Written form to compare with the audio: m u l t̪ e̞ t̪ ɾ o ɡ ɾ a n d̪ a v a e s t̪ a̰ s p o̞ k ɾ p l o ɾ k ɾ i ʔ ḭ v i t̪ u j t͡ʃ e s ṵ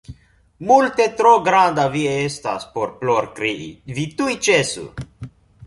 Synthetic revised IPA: m u l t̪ e̞ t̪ ɾ o ɡ ɾ a n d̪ a v i e s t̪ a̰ s p o̞ ɾ p l o ɾ k ɾ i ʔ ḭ v i t̪ u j t͡ʃ e s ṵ